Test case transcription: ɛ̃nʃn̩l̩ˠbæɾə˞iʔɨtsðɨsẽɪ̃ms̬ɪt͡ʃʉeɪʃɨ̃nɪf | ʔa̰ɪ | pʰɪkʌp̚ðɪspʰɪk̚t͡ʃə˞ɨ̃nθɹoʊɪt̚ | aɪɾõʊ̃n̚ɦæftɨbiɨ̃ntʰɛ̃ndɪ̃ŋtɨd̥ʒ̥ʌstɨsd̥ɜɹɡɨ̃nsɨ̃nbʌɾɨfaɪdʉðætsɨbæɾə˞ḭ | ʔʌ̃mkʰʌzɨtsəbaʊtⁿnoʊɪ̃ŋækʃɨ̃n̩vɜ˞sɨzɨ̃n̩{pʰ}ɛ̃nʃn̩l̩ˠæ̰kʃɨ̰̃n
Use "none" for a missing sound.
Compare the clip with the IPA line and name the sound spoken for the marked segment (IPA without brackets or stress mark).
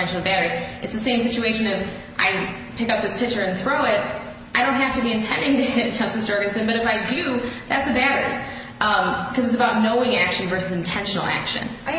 tʰ